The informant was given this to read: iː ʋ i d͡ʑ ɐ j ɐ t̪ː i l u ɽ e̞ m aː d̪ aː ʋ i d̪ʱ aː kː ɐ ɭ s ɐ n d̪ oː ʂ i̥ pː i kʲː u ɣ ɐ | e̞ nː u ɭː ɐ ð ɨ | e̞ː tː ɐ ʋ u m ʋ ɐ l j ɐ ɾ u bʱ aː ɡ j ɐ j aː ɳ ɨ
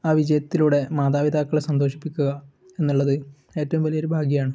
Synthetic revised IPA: aː ʋ i d͡ʑ ɐ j ɐ t̪ː i l u ɽ e̞ m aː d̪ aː ʋ i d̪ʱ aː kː ɐ ɭ s ɐ n d̪ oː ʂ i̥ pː i kʲː u ɣ ɐ | e̞ nː u ɭː ɐ ð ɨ | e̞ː tː ɐ ʋ u m ʋ ɐ l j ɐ ɾ u bʱ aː ɡ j ɐ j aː ɳ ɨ